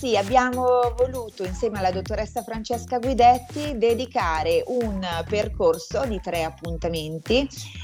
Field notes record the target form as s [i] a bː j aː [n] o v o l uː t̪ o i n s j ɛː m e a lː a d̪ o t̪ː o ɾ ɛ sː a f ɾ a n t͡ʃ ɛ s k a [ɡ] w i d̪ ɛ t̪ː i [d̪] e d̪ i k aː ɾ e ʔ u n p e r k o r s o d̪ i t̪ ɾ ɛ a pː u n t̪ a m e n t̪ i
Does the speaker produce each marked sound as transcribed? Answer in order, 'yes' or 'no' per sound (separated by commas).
yes, no, yes, yes